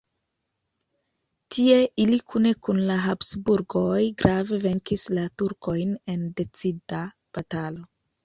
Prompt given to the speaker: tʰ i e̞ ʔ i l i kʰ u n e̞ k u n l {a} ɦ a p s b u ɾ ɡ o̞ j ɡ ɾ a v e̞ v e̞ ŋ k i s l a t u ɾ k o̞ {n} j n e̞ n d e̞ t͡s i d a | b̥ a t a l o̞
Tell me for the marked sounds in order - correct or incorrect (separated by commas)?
correct, incorrect